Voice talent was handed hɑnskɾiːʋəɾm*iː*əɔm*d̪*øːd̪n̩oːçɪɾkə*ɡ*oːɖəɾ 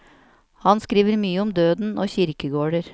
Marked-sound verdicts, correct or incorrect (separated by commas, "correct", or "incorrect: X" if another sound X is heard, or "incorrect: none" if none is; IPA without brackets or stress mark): incorrect: yː, correct, correct